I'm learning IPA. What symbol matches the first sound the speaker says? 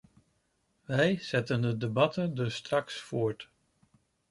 ʋ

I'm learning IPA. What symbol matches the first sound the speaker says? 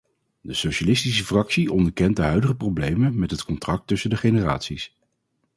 d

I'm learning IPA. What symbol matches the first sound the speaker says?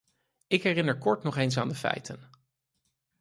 ɪ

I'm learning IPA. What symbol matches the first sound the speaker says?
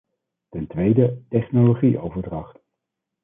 t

